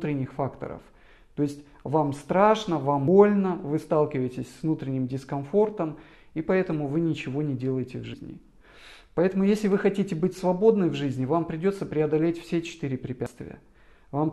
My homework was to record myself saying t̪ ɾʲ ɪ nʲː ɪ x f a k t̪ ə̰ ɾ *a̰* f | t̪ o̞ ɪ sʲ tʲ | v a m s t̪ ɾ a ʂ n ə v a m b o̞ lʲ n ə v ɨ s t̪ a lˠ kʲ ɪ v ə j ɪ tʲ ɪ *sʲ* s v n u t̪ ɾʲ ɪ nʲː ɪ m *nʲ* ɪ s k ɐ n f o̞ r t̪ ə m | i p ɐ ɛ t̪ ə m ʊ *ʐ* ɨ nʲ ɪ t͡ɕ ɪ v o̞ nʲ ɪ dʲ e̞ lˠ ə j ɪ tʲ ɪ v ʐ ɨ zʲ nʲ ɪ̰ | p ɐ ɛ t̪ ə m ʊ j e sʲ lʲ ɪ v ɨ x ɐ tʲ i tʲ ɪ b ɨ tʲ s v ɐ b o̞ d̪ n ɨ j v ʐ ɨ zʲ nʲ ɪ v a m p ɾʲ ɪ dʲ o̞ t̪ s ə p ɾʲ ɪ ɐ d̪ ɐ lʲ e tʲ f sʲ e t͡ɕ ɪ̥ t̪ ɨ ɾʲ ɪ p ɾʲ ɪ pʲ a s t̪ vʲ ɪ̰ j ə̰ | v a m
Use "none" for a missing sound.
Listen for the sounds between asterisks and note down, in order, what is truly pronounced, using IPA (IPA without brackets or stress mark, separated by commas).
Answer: ə̰, sʲ, dʲ, v